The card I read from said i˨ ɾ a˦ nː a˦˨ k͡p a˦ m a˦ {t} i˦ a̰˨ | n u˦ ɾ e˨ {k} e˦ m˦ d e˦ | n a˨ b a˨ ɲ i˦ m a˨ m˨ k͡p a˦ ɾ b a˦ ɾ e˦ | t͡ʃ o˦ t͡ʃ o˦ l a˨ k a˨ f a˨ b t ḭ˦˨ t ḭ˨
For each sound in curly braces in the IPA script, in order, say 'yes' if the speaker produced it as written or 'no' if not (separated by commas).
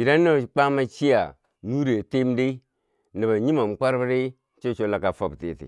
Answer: no, no